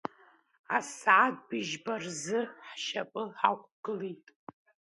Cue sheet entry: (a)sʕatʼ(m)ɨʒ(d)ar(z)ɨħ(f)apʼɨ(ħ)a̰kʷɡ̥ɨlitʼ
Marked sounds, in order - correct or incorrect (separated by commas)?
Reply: correct, incorrect, incorrect, correct, incorrect, correct